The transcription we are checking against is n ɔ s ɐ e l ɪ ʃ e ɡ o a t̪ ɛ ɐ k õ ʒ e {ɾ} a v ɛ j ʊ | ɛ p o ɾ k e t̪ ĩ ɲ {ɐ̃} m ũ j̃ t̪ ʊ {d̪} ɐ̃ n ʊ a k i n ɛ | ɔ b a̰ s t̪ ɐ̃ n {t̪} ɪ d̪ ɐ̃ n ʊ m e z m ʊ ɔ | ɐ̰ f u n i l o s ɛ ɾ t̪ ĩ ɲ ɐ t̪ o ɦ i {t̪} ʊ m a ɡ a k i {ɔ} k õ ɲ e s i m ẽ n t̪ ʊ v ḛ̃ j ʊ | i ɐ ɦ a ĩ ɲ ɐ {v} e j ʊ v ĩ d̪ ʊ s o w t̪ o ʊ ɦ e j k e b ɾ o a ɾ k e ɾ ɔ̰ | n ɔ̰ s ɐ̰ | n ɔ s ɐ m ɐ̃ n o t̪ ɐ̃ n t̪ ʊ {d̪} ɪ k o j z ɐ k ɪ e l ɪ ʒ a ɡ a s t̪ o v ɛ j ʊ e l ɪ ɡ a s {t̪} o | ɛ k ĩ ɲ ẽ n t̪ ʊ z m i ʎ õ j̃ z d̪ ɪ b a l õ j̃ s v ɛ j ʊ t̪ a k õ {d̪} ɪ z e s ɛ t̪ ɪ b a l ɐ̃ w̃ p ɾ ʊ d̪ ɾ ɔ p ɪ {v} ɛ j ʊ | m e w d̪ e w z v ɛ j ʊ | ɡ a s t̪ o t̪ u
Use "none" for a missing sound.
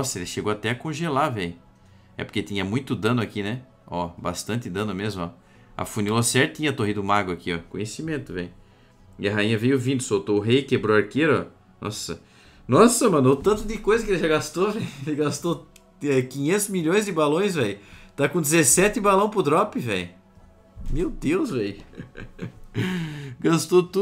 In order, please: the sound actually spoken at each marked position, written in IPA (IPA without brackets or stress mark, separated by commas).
l, ɐ, d̪, t̪, d̪, ɔ, v, d̪, t̪, d̪, v